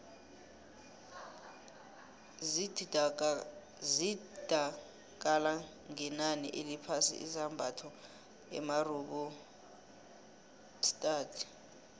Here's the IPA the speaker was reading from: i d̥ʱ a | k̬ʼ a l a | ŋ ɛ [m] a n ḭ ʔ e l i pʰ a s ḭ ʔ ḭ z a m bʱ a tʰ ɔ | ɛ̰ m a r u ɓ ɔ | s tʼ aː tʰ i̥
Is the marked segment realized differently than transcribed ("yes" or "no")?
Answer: yes